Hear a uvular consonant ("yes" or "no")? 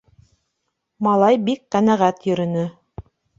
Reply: yes